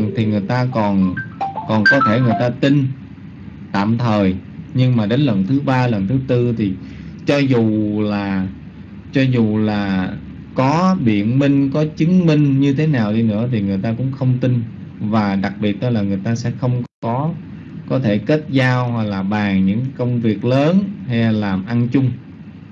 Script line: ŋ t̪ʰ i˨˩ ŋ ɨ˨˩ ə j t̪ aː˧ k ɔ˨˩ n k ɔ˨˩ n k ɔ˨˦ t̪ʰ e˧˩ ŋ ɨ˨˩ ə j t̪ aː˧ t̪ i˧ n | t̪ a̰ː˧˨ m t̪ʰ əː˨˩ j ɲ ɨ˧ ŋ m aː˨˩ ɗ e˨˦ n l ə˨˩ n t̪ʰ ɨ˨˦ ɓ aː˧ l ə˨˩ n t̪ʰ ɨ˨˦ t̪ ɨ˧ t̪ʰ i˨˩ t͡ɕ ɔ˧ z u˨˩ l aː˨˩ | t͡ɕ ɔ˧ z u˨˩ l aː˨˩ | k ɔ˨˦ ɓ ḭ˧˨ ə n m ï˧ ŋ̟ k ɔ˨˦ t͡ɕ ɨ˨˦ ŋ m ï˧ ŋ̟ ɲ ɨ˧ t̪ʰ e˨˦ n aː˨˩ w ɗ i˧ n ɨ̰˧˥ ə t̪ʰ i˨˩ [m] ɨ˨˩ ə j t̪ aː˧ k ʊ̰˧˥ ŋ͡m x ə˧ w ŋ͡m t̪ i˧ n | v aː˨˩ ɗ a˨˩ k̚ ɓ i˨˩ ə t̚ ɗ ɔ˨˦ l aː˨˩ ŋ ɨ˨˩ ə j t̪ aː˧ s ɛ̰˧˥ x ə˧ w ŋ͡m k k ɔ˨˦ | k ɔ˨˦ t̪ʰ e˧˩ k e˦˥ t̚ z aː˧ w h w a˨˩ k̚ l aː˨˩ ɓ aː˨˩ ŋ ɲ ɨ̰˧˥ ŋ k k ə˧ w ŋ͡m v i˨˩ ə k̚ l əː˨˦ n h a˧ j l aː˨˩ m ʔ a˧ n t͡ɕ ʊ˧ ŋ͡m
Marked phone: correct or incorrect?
incorrect: ŋ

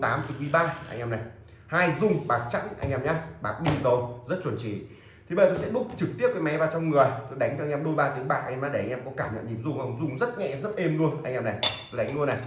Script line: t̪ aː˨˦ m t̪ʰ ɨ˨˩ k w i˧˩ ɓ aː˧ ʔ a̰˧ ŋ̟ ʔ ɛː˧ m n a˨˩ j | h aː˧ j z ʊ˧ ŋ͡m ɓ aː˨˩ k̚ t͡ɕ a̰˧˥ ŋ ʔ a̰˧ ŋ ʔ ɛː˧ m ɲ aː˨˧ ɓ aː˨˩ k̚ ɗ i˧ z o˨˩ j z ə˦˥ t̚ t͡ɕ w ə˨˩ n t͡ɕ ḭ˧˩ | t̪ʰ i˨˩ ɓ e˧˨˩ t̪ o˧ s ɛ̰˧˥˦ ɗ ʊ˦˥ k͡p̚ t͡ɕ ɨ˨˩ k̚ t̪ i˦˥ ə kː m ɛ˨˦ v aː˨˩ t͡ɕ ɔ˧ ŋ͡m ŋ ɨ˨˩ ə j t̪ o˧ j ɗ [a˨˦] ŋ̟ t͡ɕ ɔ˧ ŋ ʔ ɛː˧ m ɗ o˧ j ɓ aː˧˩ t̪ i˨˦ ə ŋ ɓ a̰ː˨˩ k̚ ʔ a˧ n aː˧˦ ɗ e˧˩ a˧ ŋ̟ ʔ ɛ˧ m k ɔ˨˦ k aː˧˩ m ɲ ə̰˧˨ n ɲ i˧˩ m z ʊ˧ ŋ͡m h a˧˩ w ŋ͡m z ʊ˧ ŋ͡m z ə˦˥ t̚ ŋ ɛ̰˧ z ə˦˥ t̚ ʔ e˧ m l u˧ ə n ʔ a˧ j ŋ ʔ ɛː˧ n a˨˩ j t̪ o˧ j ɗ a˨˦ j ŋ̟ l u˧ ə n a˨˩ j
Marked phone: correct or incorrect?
correct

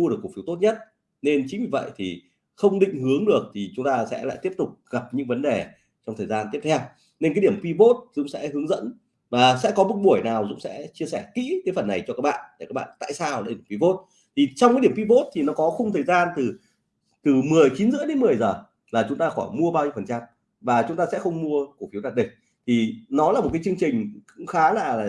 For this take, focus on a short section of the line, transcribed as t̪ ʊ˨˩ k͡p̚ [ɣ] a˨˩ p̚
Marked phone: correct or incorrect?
correct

